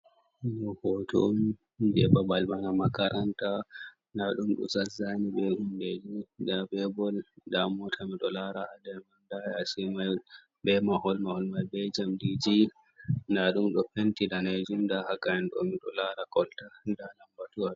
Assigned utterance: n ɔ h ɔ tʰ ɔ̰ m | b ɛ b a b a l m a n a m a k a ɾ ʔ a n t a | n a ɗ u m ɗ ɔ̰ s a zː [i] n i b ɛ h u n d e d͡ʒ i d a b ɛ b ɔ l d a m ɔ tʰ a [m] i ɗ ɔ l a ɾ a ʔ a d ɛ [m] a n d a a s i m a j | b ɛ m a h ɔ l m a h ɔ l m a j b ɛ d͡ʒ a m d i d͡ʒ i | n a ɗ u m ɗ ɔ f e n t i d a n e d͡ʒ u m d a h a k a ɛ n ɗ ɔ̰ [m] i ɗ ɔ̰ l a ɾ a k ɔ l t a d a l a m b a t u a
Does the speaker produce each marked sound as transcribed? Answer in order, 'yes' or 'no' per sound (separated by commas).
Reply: no, yes, yes, yes